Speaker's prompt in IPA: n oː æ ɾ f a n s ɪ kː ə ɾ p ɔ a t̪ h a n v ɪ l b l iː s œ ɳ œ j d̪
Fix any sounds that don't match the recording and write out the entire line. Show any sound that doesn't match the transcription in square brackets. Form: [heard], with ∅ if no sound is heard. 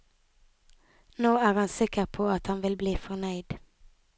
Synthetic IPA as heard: n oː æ ɾ [h] a n s ɪ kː ə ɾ [pʰ] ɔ a t̪ h a n v ɪ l b l iː [f] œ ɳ œ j d̪